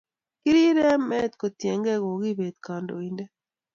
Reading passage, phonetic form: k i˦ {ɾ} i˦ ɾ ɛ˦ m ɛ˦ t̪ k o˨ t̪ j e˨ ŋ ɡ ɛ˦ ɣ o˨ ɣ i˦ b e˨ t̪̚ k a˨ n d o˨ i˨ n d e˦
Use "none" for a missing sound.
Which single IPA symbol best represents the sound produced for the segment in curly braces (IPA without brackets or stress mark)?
ɾ